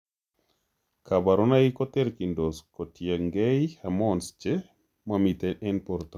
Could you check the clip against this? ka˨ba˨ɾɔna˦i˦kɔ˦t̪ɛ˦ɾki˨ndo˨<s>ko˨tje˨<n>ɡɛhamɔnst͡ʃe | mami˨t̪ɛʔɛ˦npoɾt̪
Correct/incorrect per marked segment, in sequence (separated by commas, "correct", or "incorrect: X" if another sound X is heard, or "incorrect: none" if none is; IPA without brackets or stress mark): correct, incorrect: ŋ